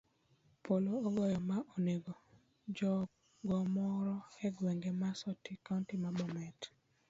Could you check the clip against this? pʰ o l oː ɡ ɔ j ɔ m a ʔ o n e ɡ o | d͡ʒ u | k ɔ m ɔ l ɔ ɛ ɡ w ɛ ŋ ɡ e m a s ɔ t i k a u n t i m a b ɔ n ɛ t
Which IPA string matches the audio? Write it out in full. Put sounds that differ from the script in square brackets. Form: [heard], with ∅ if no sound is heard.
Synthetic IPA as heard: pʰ o l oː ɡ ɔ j ɔ m a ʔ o n e ɡ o | d͡ʒ [ɔ] | [ɡ] ɔ m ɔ [ɾ] ɔ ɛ ɡ w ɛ ŋ ɡ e m a s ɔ t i k a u n t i m a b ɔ [m] ɛ t